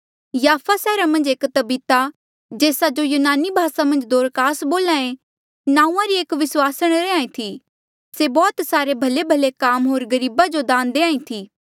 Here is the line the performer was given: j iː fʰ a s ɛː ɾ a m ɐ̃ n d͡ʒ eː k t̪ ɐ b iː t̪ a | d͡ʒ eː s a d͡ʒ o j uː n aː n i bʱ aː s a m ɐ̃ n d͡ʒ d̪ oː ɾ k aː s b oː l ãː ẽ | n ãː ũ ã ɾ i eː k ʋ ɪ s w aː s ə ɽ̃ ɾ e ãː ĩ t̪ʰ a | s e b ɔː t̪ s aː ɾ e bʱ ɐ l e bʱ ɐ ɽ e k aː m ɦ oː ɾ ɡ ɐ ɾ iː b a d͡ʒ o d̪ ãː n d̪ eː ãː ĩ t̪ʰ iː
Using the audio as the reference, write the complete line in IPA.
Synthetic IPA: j aː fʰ a s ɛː ɾ a m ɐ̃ n d͡ʒ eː k t̪ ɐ b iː t̪ a | d͡ʒ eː s a d͡ʒ o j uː n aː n i bʱ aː s a m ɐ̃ n d͡ʒ d̪ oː ɾ k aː s b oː l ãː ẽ | n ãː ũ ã ɾ i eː k ʋ ɪ s w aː s ə ɽ̃ ɾ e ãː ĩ t̪ʰ i | s e b ɔː t̪ s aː ɾ e bʱ ɐ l e bʱ ɐ l e k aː m ɦ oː ɾ ɡ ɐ ɾ iː b a d͡ʒ o d̪ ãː n d̪ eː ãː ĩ t̪ʰ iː